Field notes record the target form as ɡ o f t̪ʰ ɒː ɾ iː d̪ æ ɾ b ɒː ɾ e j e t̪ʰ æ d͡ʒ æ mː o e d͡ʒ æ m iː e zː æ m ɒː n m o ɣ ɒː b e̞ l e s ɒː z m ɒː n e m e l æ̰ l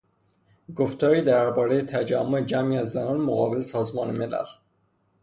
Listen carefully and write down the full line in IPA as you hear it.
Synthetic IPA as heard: ɡ o f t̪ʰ ɒː ɾ iː d̪ æ ɾ b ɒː ɾ e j e t̪ʰ æ d͡ʒ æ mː o e d͡ʒ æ m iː æ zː æ n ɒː n m o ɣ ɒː b e̞ l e s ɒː z m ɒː n e m e l æ̰ l